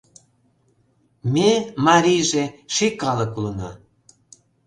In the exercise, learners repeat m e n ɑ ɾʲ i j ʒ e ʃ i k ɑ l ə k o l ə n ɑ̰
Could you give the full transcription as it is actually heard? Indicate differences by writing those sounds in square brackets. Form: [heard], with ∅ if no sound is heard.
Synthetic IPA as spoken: m e [m] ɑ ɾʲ i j ʒ e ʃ i k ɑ l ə k [u] l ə n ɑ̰

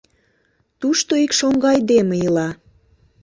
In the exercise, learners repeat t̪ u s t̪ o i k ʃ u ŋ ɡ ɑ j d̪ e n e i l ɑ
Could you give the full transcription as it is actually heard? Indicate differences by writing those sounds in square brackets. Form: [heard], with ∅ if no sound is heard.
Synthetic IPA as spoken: t̪ u [ʃ] t̪ o i k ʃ [o] ŋ ɡ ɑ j d̪ e [m] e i l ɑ

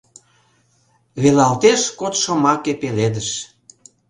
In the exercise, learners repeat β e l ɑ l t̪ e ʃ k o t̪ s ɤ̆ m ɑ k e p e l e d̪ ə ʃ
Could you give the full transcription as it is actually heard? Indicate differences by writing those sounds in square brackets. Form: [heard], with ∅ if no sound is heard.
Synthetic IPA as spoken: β e l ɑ l t̪ e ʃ k o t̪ [ʃ] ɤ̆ m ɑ k e p e l e d̪ ə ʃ

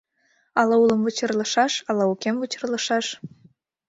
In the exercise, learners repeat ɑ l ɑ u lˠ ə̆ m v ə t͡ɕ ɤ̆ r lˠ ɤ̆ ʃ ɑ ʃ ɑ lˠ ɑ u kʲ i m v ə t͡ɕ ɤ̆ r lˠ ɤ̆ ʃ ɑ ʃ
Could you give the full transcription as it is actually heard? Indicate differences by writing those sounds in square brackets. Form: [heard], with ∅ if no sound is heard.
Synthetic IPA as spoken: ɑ l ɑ u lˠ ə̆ m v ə t͡ɕ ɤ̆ r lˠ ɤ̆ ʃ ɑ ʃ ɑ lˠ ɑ u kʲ [e] m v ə t͡ɕ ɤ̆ r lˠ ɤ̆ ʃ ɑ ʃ

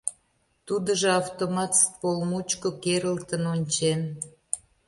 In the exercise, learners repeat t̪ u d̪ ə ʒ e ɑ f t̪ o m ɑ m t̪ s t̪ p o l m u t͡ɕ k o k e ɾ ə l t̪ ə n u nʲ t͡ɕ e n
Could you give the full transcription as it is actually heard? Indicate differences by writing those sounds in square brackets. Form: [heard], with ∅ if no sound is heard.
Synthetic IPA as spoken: t̪ u d̪ ə ʒ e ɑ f t̪ o m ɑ [∅] t̪ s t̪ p o l m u t͡ɕ k o k e ɾ ə l t̪ ə n [o] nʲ t͡ɕ e n

